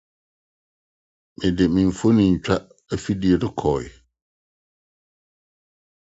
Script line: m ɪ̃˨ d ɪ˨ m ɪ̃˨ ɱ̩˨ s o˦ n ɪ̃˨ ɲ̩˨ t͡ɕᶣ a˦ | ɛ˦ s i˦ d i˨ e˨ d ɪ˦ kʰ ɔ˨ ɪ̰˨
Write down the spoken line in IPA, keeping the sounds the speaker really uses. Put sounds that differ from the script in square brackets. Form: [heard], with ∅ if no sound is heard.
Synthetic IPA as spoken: m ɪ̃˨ d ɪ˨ m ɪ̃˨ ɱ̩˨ [f] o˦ n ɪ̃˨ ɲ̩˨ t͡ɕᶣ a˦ | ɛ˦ [f] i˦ d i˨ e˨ d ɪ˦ kʰ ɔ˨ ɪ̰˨